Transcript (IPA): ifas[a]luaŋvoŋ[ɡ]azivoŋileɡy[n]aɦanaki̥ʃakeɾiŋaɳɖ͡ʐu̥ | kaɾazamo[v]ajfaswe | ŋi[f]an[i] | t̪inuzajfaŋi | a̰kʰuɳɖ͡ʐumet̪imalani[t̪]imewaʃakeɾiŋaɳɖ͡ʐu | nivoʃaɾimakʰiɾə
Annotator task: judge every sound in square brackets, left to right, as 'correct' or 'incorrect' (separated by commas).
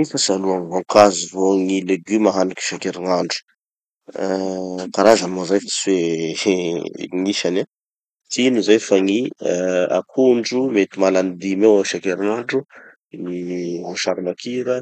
correct, incorrect, incorrect, incorrect, incorrect, incorrect, incorrect